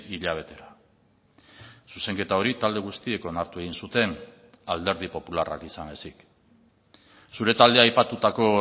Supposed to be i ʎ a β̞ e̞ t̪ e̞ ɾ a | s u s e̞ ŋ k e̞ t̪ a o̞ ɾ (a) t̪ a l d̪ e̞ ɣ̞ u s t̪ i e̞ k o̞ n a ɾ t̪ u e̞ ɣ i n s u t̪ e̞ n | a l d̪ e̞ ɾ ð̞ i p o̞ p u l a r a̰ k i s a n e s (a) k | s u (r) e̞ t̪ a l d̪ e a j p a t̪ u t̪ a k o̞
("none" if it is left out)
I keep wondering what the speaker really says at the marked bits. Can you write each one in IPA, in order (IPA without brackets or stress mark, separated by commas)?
i, i, ɾ